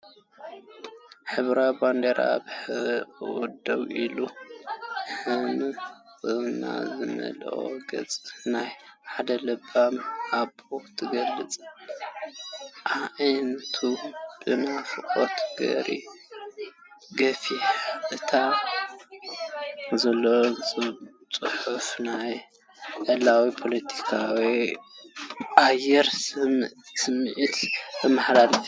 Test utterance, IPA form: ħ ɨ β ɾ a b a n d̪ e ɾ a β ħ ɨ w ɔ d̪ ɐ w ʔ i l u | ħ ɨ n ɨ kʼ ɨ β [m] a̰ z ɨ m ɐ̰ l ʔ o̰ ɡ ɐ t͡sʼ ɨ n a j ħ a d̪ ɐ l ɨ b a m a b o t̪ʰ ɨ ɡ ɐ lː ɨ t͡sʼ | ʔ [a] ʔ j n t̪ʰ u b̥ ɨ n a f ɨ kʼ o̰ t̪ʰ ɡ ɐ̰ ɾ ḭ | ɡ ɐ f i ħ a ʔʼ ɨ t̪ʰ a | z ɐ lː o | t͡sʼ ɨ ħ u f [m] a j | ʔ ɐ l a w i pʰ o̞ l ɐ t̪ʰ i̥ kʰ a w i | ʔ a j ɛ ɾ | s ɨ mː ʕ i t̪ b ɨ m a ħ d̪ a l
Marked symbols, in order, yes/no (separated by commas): no, yes, no